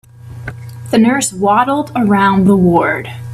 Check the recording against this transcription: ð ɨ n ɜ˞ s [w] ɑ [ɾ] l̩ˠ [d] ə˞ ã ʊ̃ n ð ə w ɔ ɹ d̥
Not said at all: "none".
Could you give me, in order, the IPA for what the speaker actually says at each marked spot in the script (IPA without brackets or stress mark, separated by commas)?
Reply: w, ɾ, d